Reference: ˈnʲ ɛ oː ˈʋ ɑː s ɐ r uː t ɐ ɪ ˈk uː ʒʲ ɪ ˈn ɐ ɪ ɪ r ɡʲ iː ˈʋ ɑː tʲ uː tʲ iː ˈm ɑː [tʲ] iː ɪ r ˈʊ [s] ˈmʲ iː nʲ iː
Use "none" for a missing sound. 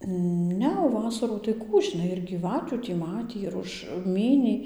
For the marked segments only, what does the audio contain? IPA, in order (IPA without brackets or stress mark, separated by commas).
tʲ, ʃ